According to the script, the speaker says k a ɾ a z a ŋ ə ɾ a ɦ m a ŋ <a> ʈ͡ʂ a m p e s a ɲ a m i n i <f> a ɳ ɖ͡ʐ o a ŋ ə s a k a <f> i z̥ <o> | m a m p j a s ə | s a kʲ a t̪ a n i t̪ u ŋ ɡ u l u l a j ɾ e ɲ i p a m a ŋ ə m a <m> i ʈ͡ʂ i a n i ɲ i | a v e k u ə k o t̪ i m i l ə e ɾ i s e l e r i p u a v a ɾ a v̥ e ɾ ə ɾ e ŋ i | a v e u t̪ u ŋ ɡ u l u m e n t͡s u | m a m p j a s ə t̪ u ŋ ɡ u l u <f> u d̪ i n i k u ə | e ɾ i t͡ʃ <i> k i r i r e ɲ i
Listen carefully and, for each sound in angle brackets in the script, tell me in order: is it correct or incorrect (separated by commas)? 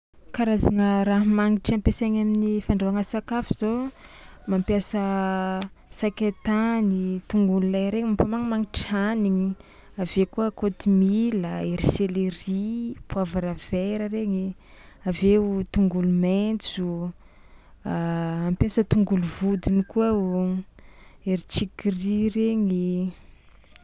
incorrect, correct, correct, correct, incorrect, incorrect, correct